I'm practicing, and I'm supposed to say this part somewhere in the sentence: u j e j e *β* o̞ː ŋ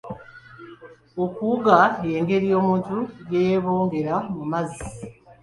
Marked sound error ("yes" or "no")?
no